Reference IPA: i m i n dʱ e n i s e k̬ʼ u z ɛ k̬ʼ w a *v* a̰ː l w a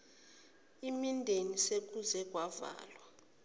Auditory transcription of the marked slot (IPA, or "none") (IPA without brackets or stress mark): v